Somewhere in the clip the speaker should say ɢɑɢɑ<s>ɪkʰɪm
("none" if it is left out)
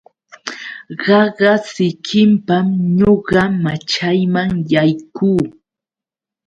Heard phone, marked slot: s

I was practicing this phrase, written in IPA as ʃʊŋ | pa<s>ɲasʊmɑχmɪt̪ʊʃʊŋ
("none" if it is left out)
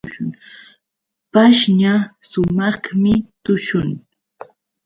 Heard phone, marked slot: ʃ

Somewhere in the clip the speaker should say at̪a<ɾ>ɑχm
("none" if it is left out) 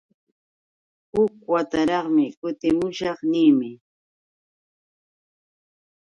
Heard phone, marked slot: ɾ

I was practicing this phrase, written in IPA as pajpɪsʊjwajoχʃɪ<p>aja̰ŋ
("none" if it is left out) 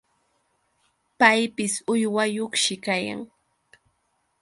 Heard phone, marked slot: k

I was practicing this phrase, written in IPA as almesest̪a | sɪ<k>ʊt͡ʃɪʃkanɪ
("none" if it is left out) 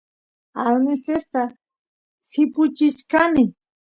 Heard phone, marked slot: p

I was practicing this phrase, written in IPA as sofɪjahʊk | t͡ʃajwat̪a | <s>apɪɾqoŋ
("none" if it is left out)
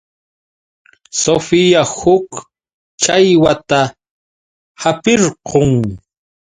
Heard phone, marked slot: h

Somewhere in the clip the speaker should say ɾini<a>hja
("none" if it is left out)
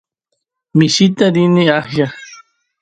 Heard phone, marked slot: a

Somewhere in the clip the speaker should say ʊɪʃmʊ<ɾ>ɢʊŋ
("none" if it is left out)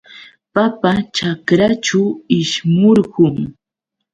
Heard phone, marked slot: ɾ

